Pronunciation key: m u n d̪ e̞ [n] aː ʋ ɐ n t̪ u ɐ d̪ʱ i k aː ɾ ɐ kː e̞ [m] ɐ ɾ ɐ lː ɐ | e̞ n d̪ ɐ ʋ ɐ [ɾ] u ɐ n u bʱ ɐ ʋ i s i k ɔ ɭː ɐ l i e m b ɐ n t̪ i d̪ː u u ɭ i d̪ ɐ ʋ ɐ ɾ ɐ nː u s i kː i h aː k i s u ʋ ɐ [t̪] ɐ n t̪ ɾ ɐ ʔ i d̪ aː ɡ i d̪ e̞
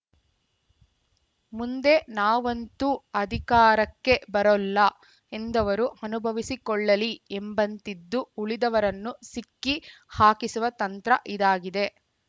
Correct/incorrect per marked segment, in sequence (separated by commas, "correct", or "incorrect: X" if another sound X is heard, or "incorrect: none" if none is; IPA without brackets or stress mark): correct, incorrect: b, correct, correct